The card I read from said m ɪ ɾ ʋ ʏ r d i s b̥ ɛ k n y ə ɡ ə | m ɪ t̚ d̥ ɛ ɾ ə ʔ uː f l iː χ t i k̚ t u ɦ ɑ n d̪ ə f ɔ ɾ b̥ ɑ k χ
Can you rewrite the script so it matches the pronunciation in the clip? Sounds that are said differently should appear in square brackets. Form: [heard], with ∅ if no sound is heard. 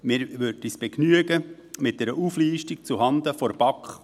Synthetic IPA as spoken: m ɪ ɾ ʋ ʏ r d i s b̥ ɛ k n y ə ɡ ə | m ɪ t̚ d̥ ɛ ɾ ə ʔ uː f l iː [ʃ] t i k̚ [t͡s] u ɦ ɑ n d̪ ə f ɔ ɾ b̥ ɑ k χ